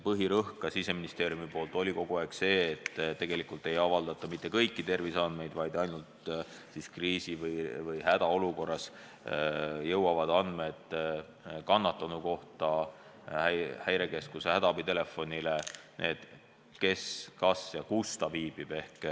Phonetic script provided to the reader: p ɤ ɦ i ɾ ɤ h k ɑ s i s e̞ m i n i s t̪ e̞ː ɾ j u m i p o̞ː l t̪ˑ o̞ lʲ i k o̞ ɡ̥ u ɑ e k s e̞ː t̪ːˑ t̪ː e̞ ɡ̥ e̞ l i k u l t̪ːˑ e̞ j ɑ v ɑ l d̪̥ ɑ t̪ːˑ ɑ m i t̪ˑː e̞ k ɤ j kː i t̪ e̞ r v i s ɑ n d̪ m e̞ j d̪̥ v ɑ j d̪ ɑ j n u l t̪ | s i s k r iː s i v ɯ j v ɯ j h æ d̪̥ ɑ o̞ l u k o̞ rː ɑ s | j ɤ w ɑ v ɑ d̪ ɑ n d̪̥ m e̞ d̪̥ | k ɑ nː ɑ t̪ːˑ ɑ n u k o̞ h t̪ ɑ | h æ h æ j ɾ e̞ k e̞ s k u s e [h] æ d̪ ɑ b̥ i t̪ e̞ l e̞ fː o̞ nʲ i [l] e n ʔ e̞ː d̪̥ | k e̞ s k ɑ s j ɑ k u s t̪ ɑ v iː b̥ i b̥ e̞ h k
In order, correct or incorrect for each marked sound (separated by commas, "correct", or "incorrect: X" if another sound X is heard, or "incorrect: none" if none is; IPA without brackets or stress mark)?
correct, correct